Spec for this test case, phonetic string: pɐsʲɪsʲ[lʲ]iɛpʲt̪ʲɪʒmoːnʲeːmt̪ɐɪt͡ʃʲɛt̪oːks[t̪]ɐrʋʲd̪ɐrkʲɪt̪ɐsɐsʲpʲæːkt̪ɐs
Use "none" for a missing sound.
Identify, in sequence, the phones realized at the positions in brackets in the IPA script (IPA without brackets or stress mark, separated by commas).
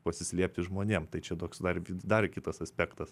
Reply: lʲ, d̪